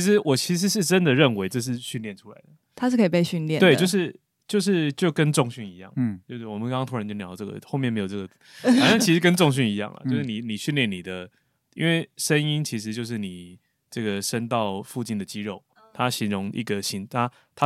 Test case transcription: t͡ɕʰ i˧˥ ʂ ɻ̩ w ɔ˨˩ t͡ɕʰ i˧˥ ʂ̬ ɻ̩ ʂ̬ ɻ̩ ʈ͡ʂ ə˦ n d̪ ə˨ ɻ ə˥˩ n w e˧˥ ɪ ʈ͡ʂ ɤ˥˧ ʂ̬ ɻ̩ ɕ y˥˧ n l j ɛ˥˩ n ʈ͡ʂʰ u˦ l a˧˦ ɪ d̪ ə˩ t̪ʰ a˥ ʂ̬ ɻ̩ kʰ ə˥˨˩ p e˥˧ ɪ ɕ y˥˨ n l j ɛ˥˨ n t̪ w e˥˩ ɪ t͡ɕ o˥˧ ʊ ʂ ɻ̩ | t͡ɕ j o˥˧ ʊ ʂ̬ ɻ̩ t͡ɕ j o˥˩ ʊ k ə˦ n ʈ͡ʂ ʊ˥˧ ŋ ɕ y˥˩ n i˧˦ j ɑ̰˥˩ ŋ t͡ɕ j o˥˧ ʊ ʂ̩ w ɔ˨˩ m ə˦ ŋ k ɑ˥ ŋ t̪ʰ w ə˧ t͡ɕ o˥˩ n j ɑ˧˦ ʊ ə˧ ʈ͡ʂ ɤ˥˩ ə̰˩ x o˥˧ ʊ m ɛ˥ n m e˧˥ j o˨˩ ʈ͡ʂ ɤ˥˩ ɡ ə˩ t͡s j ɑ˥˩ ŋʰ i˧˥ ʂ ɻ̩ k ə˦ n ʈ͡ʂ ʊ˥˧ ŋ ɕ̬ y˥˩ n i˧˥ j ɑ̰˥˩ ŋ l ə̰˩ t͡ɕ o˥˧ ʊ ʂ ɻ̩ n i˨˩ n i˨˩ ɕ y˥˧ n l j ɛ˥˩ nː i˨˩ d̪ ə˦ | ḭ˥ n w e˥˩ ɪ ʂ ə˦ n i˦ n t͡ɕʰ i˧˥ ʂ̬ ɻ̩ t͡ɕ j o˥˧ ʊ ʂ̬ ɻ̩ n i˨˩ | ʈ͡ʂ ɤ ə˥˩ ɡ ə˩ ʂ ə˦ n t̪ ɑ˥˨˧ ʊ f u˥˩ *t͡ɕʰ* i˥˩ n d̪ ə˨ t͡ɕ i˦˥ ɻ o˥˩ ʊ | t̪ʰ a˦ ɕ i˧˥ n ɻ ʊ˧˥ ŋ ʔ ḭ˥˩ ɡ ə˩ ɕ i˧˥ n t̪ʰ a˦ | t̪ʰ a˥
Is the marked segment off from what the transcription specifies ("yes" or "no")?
yes